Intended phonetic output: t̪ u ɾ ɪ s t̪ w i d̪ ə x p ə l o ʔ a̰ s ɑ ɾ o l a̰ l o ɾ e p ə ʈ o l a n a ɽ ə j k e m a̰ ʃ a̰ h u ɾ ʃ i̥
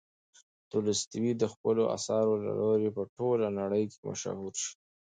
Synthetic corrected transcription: t̪ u l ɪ s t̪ w i d̪ ə x p ə l o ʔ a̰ s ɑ ɾ o l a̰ l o ɾ e p ə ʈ o l a n a ɽ ə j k e m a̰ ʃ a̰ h u ɾ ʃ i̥